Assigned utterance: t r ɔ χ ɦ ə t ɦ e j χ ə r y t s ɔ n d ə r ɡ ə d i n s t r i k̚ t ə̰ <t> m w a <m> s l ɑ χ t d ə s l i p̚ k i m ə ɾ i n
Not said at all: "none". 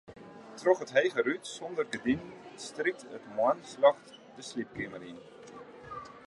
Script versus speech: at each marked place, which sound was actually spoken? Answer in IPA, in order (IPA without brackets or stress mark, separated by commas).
t, n